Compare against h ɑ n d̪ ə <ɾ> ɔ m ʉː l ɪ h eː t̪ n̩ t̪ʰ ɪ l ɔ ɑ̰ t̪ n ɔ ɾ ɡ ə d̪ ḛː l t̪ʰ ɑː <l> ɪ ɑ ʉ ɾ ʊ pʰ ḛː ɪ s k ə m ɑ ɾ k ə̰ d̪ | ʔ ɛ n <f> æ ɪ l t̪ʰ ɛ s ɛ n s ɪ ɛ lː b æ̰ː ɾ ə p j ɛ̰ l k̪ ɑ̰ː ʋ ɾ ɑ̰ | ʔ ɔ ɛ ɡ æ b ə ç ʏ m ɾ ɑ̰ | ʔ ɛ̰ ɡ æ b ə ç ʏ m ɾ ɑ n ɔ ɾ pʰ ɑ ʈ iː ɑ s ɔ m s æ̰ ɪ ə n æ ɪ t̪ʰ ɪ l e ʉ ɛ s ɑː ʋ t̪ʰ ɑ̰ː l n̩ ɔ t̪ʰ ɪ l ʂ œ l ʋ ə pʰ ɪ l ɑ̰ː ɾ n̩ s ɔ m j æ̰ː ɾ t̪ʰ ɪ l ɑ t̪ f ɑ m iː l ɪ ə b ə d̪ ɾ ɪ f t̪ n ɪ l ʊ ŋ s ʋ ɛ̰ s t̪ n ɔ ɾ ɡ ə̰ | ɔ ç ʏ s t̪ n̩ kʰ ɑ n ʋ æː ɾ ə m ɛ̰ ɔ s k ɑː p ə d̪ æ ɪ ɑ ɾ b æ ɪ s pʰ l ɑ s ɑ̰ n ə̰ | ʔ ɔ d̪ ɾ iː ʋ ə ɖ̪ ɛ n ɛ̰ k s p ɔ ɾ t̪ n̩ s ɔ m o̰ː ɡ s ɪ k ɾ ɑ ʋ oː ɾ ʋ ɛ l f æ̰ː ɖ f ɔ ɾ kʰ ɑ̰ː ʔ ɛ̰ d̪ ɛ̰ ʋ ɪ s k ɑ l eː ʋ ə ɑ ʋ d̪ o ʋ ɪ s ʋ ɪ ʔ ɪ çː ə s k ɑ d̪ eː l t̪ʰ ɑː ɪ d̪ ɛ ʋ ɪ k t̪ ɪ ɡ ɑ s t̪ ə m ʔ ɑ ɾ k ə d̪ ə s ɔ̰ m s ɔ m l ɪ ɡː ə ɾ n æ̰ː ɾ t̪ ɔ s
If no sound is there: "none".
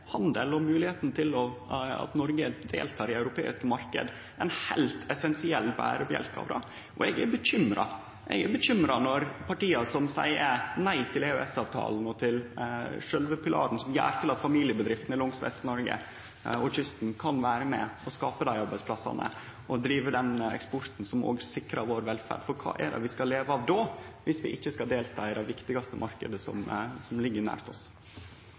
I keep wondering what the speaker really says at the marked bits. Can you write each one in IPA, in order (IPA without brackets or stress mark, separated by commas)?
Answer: l, ɾ, h